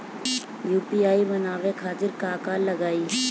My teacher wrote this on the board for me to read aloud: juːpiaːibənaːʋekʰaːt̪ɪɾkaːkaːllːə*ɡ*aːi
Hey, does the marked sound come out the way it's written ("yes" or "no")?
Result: yes